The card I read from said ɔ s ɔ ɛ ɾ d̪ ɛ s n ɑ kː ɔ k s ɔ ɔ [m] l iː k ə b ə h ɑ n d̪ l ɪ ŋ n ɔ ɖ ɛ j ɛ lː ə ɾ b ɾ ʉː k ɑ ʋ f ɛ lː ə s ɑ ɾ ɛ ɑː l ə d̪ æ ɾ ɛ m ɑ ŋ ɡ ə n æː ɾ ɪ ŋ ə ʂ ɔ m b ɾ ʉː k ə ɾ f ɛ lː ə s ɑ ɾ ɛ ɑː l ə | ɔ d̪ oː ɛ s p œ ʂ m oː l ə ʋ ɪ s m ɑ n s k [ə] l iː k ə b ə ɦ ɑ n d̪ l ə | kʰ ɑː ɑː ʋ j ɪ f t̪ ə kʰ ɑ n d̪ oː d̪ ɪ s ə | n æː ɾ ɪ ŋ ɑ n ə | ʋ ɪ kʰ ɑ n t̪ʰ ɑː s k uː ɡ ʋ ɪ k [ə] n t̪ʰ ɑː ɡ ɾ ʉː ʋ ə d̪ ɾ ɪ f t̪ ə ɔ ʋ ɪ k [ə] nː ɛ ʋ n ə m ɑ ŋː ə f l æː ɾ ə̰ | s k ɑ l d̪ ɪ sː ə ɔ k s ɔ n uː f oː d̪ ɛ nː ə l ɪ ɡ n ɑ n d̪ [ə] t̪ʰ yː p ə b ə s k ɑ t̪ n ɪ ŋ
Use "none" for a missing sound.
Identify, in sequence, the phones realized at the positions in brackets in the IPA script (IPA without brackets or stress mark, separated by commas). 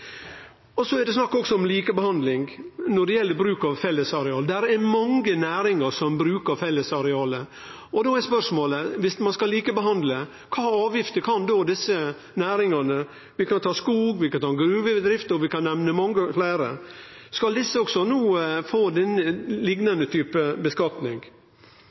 m, ɑ, ɑ, ɑ, ə